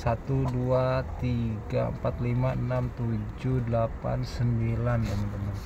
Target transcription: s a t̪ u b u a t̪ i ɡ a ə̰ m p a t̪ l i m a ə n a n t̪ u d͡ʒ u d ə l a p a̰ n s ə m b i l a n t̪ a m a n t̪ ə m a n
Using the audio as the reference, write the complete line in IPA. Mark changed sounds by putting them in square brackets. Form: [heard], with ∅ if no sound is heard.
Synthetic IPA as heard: s a t̪ u [d] u a t̪ i ɡ a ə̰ m p a t̪ l i m a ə n a [m] t̪ u d͡ʒ u d ə l a p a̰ n s ə m b i l a n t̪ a m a n t̪ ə m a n